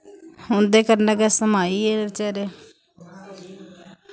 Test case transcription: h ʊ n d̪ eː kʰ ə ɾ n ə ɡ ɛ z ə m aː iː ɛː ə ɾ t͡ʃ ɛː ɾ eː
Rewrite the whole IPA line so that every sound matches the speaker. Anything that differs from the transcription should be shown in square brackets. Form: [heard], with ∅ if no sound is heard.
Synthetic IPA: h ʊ n d̪ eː [k] ə ɾ n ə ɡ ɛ [s] ə m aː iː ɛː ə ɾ t͡ʃ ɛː ɾ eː

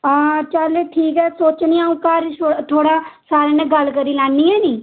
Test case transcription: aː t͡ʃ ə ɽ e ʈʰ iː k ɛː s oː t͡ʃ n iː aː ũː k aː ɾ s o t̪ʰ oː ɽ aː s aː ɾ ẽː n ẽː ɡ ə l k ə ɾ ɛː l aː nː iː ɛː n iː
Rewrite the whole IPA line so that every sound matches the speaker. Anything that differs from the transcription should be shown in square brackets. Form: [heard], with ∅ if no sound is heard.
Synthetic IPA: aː t͡ʃ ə [l] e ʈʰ iː k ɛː s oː t͡ʃ n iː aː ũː k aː ɾ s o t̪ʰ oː ɽ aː s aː ɾ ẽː n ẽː ɡ ə l k ə ɾ [iː] l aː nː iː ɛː n iː

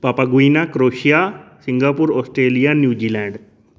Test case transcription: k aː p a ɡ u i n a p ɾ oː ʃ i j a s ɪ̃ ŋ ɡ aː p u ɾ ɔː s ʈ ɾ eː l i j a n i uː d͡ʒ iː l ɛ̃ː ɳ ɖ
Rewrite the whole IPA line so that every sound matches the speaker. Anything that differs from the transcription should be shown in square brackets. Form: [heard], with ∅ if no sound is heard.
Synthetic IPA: [p] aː p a ɡ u i n a [k] ɾ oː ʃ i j a s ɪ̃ ŋ ɡ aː p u ɾ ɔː s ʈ ɾ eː l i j a n [j] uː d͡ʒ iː l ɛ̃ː ɳ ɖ

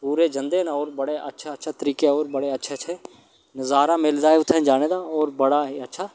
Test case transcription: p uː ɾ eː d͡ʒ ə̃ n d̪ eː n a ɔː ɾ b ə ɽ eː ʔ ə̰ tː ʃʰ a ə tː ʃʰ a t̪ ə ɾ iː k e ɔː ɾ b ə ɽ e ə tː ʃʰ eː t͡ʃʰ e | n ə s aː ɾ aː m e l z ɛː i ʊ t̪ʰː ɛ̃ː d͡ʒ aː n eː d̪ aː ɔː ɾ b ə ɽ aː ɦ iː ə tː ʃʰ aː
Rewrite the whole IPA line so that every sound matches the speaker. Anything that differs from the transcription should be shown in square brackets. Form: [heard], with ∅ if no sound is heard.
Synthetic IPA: p uː ɾ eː d͡ʒ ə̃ n d̪ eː n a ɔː ɾ b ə ɽ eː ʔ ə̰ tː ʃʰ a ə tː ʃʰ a t̪ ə ɾ iː k e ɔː ɾ b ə ɽ e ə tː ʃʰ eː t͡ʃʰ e | n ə [z] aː ɾ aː m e l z [aː] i ʊ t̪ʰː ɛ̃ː d͡ʒ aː n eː d̪ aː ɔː ɾ b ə ɽ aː ɦ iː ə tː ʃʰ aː

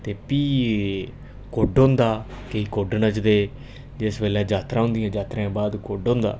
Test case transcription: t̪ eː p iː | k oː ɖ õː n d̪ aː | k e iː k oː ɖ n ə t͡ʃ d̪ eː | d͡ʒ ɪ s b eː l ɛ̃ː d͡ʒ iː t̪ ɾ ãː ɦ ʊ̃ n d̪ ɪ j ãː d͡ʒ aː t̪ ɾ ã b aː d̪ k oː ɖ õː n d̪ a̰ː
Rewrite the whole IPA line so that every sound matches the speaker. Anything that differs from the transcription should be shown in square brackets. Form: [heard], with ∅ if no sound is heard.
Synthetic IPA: t̪ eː p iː | k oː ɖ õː n d̪ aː | k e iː k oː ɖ n ə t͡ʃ d̪ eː | d͡ʒ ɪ s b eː l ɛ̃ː d͡ʒ [aː] t̪ ɾ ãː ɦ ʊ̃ n d̪ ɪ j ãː d͡ʒ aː t̪ ɾ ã b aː d̪ k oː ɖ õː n d̪ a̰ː

